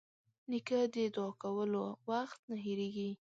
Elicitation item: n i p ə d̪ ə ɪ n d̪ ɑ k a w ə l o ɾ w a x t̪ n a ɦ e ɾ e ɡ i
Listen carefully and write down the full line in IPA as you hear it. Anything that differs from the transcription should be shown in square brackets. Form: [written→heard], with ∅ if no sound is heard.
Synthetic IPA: n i [p→k] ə d̪ ə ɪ [n→∅] d̪ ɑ k a w ə l o [ɾ→∅] w a x t̪ n a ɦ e ɾ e ɡ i